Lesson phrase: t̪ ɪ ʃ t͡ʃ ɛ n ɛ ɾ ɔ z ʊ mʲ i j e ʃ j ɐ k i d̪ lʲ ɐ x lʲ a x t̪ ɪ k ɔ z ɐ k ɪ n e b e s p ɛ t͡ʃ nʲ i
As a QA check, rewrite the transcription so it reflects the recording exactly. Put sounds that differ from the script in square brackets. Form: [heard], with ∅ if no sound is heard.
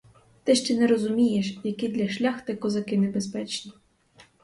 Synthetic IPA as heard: t̪ ɪ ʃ t͡ʃ ɛ n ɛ ɾ ɔ z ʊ mʲ i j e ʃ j ɐ k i d̪ lʲ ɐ [ʃ] lʲ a x t̪ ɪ k ɔ z ɐ k ɪ n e b e s p ɛ t͡ʃ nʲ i